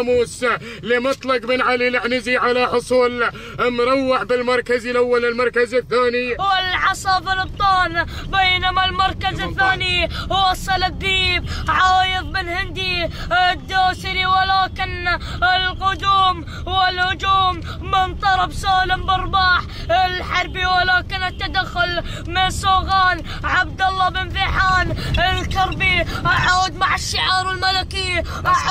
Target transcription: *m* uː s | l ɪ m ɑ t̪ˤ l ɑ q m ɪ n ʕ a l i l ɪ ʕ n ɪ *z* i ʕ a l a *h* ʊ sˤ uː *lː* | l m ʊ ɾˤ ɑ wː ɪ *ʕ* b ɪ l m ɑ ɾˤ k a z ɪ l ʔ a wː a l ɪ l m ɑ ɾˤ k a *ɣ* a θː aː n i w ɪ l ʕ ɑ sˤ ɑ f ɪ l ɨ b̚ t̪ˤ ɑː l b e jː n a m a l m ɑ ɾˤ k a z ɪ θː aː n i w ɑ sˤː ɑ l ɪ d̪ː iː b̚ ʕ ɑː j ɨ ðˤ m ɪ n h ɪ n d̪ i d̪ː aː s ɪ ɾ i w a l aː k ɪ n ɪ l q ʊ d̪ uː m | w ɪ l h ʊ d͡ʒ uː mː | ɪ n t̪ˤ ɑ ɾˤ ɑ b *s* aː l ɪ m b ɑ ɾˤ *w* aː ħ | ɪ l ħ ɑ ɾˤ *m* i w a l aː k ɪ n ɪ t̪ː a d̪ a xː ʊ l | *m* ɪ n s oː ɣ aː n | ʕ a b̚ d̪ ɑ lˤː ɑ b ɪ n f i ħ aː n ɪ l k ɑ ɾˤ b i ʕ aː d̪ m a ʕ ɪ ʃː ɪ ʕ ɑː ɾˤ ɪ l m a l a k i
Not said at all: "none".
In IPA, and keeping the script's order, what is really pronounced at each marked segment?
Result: m, z, ħ, l, ʕ, z, s, b, b, m

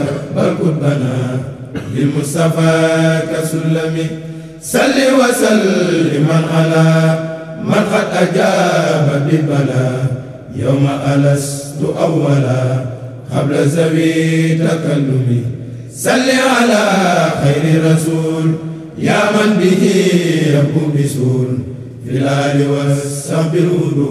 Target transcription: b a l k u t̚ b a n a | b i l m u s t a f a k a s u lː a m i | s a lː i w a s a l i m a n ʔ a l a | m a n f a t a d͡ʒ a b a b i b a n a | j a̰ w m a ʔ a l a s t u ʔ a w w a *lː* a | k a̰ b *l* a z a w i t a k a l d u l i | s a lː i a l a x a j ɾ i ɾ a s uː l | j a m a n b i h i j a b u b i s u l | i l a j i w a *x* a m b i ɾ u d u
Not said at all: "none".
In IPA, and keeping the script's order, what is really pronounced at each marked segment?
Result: l, l, s

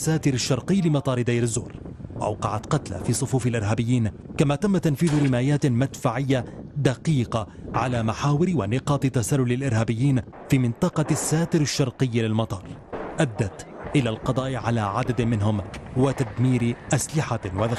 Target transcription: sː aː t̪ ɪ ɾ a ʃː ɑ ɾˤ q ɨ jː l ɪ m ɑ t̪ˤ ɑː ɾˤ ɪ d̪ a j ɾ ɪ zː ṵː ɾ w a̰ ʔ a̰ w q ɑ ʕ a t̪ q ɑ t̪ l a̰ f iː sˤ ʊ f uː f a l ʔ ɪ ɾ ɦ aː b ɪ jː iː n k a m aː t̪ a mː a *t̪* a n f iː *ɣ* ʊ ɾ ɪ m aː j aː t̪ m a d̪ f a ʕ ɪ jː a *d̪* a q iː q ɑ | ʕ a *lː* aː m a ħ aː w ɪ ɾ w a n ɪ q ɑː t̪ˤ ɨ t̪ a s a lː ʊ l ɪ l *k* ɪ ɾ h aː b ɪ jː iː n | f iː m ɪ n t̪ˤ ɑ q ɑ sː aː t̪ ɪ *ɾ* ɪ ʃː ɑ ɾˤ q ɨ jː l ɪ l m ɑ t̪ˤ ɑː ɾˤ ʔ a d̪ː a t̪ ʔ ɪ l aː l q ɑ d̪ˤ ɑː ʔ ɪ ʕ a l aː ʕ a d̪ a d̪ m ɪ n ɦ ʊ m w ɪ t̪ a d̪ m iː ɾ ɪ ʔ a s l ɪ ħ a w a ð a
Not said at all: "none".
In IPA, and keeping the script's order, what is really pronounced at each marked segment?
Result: t̪, ð, d̪, l, ʔ, ɾ

